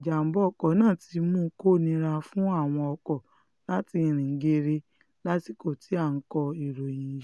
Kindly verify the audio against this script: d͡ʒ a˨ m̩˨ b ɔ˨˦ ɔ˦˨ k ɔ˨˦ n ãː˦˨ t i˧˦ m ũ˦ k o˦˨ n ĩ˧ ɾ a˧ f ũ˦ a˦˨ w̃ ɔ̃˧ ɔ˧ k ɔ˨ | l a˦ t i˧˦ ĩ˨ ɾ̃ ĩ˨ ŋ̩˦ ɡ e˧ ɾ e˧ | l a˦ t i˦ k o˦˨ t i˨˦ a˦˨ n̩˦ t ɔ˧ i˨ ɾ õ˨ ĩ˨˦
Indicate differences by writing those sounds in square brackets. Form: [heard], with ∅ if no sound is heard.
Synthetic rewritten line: d͡ʒ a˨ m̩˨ b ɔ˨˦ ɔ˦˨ k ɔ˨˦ n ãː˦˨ t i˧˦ m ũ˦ k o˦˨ n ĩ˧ ɾ a˧ f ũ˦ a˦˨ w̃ ɔ̃˧ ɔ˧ k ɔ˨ | l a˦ t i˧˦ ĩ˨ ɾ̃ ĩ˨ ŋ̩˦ ɡ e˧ ɾ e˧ | l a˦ t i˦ k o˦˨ t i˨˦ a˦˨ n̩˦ [k] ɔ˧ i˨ ɾ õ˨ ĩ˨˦